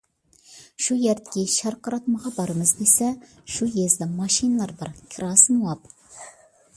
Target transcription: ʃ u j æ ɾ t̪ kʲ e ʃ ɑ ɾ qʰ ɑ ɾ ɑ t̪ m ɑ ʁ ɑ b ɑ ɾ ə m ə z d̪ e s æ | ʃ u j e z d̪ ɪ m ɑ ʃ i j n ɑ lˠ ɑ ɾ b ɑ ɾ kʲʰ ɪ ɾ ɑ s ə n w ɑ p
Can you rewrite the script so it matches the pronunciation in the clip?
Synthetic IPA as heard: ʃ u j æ ɾ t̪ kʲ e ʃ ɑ ɾ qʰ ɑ ɾ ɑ t̪ m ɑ ʁ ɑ b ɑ ɾ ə m ə z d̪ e s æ | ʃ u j e z d̪ ɪ m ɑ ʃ i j n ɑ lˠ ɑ ɾ b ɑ ɾ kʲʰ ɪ ɾ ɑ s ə n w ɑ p